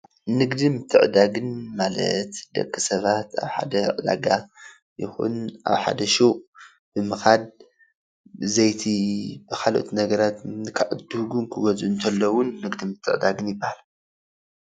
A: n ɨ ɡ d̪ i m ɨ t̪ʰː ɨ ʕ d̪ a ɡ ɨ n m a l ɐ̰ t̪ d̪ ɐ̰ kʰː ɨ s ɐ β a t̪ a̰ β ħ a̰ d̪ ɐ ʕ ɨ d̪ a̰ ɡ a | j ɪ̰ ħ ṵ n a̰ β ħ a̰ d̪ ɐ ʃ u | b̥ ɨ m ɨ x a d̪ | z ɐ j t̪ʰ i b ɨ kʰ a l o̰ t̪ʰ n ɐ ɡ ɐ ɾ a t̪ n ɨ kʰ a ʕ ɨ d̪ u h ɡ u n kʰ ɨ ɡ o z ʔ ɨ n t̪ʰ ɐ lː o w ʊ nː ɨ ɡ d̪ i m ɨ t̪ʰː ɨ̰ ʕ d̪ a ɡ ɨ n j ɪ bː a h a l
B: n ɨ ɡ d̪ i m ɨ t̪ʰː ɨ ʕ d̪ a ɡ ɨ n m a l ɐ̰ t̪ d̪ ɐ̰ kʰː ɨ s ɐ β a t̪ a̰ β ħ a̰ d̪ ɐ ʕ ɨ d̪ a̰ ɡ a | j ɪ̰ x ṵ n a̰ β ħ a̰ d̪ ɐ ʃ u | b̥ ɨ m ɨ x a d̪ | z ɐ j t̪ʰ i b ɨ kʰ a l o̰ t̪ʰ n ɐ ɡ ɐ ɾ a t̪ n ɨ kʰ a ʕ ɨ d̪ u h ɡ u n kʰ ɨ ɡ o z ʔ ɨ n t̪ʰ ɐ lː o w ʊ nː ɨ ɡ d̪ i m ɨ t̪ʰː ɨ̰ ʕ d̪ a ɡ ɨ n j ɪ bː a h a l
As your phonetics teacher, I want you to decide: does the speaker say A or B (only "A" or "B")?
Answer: B